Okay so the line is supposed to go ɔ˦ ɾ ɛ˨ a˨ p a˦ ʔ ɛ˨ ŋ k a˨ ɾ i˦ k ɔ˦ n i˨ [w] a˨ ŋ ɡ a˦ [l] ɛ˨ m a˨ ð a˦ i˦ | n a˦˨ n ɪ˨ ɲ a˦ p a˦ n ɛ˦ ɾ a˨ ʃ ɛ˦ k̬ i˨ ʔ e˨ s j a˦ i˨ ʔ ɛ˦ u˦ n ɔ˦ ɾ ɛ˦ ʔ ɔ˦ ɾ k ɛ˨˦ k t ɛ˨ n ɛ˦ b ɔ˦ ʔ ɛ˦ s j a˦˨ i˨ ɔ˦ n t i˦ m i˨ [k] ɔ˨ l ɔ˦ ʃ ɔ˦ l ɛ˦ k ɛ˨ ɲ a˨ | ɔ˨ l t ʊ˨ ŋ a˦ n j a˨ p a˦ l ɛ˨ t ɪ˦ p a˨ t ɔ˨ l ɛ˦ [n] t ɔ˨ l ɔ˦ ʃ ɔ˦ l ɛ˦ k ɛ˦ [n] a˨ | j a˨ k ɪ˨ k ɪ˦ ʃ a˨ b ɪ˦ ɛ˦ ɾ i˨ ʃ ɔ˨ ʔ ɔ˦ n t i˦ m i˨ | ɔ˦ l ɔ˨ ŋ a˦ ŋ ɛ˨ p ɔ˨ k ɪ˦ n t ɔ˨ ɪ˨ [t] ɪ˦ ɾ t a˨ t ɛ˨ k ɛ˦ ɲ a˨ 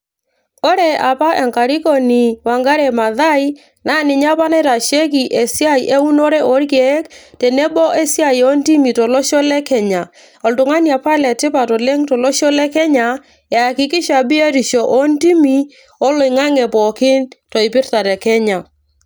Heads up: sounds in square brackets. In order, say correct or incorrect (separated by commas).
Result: correct, incorrect, incorrect, incorrect, incorrect, incorrect